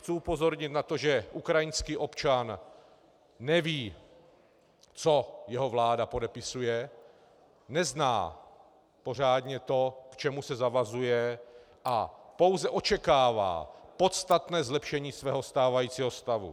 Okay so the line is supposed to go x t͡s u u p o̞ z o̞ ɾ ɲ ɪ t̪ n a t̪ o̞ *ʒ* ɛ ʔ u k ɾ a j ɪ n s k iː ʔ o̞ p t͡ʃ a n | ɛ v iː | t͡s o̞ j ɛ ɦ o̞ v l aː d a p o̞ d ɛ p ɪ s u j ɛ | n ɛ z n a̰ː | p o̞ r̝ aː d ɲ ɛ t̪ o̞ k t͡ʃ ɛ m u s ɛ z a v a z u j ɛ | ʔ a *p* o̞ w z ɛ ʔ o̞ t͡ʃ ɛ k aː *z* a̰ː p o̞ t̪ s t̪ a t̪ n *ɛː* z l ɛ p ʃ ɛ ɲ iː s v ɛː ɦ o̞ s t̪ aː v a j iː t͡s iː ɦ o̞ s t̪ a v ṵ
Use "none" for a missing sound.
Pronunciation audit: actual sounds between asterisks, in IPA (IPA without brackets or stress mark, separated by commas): ʒ, p, v, ɛː